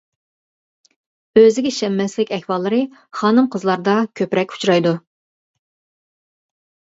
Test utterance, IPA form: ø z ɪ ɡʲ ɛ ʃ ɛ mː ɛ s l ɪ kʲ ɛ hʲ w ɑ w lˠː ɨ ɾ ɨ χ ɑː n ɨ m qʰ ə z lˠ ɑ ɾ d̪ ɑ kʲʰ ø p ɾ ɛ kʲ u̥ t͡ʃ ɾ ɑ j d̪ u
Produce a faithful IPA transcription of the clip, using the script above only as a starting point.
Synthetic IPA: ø z ɪ ɡʲ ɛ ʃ ɛ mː ɛ s l ɪ kʲ ɛ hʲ w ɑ lˠː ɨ ɾ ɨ χ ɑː n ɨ m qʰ ə z lˠ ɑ ɾ d̪ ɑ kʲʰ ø p ɾ ɛ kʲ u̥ t͡ʃ ɾ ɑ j d̪ u